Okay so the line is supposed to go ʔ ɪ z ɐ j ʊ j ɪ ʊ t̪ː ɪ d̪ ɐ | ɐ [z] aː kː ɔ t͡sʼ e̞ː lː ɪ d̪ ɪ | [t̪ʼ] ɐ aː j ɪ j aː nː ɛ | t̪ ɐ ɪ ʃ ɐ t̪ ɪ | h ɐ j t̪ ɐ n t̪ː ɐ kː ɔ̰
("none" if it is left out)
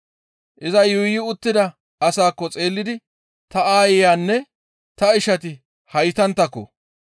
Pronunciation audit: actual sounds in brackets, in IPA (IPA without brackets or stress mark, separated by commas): s, t̪